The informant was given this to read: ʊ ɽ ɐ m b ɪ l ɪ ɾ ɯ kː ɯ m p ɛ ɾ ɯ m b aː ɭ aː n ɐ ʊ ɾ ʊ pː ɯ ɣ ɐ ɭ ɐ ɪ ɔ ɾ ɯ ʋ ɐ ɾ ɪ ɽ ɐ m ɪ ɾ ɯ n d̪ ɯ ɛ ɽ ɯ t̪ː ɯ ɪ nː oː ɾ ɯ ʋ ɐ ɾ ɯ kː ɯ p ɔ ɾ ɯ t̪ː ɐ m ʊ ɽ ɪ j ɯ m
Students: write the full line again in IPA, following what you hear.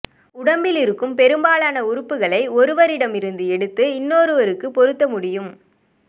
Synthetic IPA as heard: ʊ ɽ ɐ m b ɪ l ɪ ɾ ɯ kː ɯ m p ɛ ɾ ɯ m b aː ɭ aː n ɐ ʊ ɾ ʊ pː ɯ ɣ ɐ ɭ ɐ ɪ ɔ ɾ ɯ ʋ ɐ ɾ ɪ ɽ ɐ m ɪ ɾ ɯ n d̪ ɯ ɛ ɽ ɯ t̪ː ɯ ɪ nː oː ɾ ɯ ʋ ɐ ɾ ɯ kː ɯ p ɔ ɾ ɯ t̪ː ɐ m ʊ ɽ ɪ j ɯ m